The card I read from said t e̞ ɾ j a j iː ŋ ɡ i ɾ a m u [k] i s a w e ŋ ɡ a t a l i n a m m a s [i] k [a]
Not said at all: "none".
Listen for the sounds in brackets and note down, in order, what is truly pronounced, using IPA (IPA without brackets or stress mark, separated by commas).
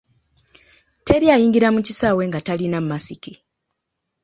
c, i, i